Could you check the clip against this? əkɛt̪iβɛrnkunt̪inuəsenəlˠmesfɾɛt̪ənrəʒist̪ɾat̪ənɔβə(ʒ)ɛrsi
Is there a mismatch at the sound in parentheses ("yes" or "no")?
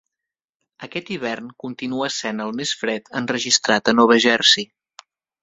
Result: no